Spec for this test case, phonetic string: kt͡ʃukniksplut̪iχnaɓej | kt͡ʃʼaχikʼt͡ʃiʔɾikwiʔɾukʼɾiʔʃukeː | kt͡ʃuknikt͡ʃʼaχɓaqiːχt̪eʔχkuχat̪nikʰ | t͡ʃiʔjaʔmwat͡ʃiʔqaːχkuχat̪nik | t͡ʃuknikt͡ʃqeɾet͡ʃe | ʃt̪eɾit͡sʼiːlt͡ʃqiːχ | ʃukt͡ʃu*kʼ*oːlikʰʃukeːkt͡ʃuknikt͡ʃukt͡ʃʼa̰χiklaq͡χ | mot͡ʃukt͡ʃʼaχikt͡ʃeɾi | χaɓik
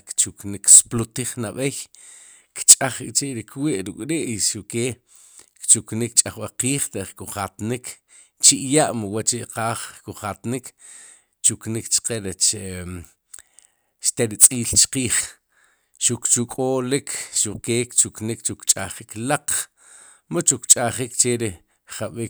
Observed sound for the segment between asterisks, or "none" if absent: kʼ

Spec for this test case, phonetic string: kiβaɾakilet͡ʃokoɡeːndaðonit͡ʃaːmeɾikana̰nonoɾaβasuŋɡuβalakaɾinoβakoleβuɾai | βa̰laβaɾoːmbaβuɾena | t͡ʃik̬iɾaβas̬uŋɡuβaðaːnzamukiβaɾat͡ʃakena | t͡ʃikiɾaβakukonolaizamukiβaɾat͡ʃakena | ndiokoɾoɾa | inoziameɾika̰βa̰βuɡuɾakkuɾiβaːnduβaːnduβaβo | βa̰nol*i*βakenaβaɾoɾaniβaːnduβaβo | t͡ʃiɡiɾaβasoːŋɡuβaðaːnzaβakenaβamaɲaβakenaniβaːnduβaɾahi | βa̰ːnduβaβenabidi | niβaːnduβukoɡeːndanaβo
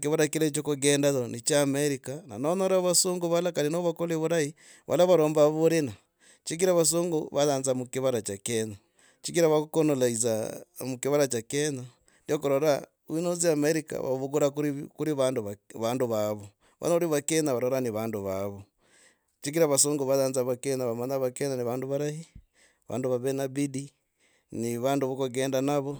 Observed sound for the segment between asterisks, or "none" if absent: i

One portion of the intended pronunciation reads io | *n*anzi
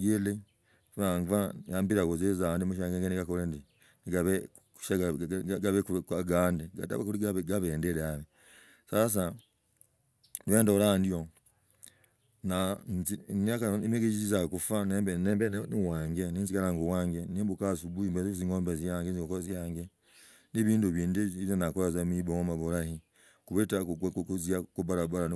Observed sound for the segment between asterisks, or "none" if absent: n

